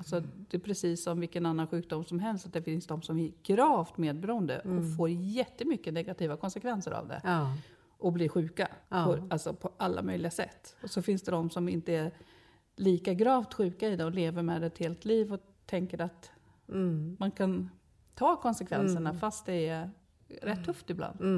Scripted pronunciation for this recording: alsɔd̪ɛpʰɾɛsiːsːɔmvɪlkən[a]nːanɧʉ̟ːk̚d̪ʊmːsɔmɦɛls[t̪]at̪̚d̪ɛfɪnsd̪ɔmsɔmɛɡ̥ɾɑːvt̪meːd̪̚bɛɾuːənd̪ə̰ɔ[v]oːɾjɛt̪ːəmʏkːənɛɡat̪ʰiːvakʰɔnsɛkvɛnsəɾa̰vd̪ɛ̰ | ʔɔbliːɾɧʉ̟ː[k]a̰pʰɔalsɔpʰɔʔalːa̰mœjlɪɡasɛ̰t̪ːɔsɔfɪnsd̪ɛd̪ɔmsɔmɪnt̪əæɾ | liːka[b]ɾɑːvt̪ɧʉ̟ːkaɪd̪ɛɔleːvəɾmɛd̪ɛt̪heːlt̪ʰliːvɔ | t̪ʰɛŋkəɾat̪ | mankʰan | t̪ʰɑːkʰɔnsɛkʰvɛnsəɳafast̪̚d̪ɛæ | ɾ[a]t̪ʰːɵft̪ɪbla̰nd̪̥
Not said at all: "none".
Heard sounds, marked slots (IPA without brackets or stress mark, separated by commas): a, t̪, f, k, ɡ, ɛ